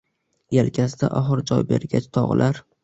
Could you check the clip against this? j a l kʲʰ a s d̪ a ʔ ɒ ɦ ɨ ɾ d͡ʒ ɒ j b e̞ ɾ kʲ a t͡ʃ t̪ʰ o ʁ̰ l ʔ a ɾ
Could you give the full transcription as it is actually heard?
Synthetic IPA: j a l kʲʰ a s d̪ a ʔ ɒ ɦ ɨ ɾ d͡ʒ ɒ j b e̞ ɾ ɡʲ a t͡ʃ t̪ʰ ɒ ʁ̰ l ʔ a ɾ

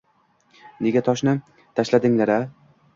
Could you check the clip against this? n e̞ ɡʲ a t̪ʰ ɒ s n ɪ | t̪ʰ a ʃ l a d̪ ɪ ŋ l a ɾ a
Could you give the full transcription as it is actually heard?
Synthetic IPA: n e̞ ɡʲ a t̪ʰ ɒ ʃ n ɪ | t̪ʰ a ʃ l a d̪ ɪ ŋ l a ɾ a

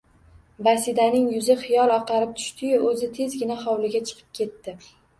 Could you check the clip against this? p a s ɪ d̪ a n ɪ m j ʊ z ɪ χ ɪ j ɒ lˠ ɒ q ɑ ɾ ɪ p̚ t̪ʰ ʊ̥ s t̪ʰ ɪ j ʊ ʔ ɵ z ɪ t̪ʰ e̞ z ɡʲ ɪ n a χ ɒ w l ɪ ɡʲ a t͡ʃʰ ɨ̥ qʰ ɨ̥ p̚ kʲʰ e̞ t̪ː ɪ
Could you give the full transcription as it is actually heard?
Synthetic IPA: b a s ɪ d̪ a n ɪ ŋ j ʊ z ɪ χ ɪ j ɒ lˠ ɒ q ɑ ɾ ɪ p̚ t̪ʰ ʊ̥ ʃ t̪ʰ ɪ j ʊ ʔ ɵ z ɪ t̪ʰ e̞ z ɡʲ ɪ n a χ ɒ w l ɪ ɡʲ a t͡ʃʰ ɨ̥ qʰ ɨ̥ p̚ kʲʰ e̞ t̪ː ɪ

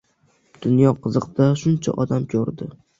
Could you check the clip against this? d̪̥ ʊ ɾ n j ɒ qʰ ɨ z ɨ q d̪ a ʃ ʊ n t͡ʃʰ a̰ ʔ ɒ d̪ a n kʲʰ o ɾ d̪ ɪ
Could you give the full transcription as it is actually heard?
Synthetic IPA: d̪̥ ʊ n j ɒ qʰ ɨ z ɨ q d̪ a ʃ ʊ n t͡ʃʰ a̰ ʔ ɒ d̪ a m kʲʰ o ɾ d̪ ɪ

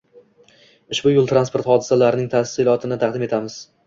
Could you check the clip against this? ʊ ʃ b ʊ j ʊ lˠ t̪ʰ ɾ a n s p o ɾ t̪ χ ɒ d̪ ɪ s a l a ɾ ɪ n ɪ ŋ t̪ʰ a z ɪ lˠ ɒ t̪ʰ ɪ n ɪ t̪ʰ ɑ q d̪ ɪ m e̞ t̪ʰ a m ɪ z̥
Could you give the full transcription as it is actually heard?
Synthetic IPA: ʊ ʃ b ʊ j ʊ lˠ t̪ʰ ɾ a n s p o ɾ t̪ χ ɒ d̪ ɪ s a l a ɾ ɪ n ɪ ŋ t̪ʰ a s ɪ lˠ ɒ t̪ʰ ɪ n ɪ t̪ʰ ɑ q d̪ ɪ m e̞ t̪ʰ a m ɪ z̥

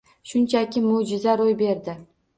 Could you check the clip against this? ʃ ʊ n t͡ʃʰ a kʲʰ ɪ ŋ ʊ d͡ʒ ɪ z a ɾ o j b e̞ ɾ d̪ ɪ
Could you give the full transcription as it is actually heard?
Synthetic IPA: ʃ ʊ n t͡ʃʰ a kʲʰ ɪ m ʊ d͡ʒ ɪ z a ɾ o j b e̞ ɾ d̪ ɪ

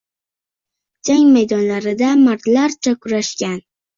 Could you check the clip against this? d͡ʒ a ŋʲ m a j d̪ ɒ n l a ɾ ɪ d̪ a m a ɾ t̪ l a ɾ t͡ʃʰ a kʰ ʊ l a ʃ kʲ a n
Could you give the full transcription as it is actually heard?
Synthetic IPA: d͡ʒ a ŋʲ m a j d̪ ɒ n l a ɾ ɪ d̪ a m a ɾ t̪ l a ɾ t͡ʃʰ a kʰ ʊ ɾ a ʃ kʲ a n

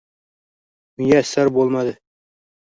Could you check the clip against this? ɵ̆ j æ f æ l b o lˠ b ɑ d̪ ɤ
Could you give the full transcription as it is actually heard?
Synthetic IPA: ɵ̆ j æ s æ ɾ b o lˠ m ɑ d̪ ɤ

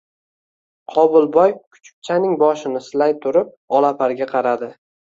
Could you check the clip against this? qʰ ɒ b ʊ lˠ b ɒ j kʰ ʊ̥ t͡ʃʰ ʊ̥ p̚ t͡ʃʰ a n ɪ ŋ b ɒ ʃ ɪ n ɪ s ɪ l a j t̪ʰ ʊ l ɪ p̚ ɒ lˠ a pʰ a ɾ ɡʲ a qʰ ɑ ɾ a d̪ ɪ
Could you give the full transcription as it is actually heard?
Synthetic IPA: qʰ ɒ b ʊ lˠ b ɒ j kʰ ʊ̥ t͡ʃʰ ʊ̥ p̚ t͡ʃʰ a n ɪ ŋ b ɒ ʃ ɪ n ɪ s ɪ l a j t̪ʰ ʊ ɾ ɪ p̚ ɒ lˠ a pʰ a ɾ ɡʲ a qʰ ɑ ɾ a d̪ ɪ

